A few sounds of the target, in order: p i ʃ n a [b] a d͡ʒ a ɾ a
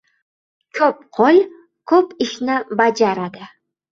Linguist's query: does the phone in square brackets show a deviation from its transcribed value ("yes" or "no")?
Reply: no